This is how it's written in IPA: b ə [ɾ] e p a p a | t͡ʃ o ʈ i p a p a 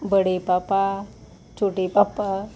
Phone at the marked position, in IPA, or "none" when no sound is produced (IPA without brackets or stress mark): ɽ